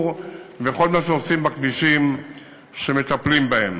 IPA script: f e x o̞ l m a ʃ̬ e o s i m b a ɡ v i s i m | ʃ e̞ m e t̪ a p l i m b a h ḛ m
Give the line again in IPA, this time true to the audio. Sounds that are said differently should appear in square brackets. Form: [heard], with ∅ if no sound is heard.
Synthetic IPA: [v] e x o̞ l m a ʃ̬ e o s i m b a [k] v i [ʃ] i m | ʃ e̞ m e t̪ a p l i m b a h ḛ m

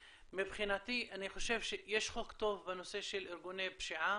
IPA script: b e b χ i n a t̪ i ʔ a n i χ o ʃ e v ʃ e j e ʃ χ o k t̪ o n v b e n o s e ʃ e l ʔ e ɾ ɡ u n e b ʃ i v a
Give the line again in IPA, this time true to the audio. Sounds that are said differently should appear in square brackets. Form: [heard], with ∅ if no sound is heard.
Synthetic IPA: [m] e b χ i n a t̪ i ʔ a n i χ o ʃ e v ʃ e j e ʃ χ o k t̪ o [∅] v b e n o s e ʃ e l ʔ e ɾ ɡ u n e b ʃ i [ʕ] a

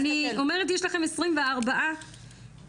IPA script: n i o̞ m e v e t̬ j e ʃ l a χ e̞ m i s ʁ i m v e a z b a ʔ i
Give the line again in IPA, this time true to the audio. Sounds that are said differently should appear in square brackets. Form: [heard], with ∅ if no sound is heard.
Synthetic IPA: n i o̞ m e [ʁ] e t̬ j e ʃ l a χ e̞ m [e] s ʁ i m v e a [ʁ] b a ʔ [a]

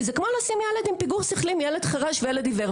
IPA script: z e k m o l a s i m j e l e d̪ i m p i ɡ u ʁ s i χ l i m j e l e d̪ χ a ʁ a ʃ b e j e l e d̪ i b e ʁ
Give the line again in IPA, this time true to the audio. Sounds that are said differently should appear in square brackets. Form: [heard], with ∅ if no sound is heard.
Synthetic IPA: z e k m o l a s i m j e l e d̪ i m p i ɡ u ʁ s i χ l i m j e l e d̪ χ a ʁ a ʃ [v] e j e l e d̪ i [v] e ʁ

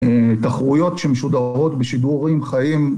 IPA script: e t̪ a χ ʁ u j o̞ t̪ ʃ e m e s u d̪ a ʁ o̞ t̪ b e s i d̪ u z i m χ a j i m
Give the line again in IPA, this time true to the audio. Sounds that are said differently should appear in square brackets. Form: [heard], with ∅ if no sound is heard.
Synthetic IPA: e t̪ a χ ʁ u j o̞ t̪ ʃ e m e [ʃ] u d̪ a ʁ o̞ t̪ b e [ʃ] i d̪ u [ʁ] i m χ a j i m

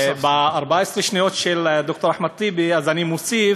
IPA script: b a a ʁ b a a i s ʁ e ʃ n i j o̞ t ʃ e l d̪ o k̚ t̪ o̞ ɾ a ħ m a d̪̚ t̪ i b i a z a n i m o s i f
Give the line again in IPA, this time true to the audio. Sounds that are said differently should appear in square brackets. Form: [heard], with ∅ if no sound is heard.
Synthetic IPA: b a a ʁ b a a [e] s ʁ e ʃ n i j o̞ t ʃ e l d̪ o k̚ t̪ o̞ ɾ a ħ m a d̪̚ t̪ i b i a z a n i m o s i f

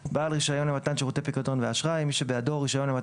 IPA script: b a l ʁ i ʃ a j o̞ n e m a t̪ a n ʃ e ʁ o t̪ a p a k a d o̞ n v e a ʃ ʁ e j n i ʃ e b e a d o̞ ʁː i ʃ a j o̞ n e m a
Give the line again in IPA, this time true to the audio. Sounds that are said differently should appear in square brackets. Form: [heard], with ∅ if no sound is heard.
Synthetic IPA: b a l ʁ i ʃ a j o̞ n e m a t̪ a n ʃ e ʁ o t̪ [e] p [i] k a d o̞ n v e a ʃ ʁ [a] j [m] i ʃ e b e a d o̞ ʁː i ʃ a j o̞ n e m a

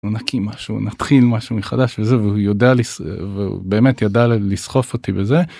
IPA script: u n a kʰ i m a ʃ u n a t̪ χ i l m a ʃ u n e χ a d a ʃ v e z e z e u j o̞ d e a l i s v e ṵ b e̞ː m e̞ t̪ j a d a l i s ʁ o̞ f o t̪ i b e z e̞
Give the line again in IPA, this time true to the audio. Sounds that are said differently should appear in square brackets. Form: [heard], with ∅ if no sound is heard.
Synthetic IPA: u n a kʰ i m a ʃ u n a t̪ χ i l m a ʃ u [m] e χ a d a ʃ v e z e [v] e u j o̞ d e a l i s v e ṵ b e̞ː m e̞ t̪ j a d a l i s [χ] o̞ f o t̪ i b e z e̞

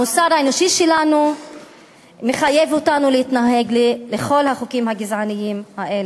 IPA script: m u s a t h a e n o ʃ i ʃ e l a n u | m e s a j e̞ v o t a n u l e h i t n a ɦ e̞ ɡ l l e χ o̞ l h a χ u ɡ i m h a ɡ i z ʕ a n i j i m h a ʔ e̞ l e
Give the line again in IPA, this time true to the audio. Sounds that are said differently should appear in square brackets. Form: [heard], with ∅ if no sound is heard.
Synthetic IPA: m u s a [d] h a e n o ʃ i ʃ e l a n u | m e [χ] a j e̞ v o t a n u l e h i t n a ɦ e̞ ɡ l l e χ o̞ l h a χ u [k] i m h a ɡ i z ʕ a n i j i m h a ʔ e̞ l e

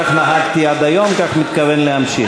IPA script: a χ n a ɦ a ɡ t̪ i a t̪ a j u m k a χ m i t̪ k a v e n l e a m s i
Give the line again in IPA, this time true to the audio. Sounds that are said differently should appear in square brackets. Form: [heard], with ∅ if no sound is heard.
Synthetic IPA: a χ n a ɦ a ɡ t̪ i a [d̪] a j [o] m k a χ m i t̪ k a v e n l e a m [ʃ] i

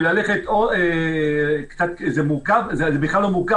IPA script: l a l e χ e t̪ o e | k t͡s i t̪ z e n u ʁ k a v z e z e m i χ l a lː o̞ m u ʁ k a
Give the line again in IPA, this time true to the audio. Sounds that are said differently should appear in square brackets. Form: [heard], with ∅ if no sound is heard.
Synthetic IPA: l a l e χ e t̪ o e | k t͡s [a] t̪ z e [m] u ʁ k a v z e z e [b] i χ l a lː o̞ m u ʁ k a

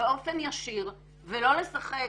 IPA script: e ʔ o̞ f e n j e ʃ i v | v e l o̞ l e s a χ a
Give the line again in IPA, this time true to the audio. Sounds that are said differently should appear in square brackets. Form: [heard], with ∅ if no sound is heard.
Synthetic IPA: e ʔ o̞ f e n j [a] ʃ i [ʁ] | v e l o̞ l e s a χ [e]

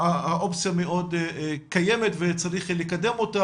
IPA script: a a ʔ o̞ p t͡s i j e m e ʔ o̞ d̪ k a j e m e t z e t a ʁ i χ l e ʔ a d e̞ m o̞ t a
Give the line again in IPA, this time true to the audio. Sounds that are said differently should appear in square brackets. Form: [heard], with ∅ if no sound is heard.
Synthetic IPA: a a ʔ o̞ p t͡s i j [a] m e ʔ o̞ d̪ k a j e m e t [v] e [t͡s] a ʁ i χ l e [k] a d e̞ m o̞ t a

